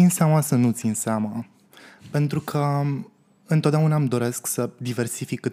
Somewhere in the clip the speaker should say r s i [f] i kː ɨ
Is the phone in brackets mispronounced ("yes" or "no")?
no